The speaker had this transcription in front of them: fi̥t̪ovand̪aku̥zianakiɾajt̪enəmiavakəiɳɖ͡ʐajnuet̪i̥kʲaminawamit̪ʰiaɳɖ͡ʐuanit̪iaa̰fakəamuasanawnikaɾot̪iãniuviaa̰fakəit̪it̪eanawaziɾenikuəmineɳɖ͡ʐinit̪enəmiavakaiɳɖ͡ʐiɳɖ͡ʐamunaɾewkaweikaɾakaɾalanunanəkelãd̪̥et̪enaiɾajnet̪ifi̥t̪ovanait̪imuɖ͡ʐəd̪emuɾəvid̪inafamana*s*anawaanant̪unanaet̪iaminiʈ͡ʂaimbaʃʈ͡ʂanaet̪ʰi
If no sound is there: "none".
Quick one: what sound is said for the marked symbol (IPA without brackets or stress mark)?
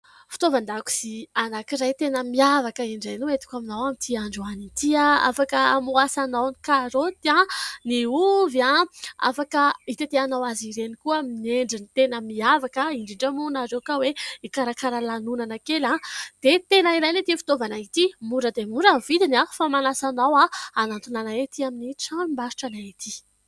s